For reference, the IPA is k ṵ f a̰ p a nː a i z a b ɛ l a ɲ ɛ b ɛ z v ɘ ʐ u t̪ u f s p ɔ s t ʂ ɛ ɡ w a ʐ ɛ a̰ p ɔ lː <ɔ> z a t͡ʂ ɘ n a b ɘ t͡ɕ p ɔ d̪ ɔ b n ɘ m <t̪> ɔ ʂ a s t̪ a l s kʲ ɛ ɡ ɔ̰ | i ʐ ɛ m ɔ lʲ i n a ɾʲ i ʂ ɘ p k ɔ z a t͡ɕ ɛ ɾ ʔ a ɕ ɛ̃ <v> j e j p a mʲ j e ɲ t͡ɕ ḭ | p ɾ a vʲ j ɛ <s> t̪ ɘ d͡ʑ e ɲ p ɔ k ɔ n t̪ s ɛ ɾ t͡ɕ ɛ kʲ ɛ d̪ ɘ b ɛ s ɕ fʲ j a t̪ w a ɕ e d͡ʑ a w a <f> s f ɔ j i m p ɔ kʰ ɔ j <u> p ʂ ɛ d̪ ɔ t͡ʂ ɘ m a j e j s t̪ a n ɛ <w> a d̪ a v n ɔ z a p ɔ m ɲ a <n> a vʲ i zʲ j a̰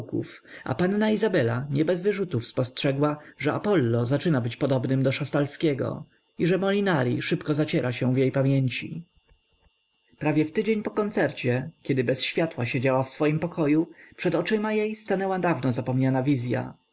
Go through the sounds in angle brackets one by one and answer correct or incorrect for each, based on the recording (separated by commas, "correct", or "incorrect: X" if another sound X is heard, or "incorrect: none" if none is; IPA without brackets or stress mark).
correct, incorrect: d̪, correct, incorrect: f, correct, correct, correct, correct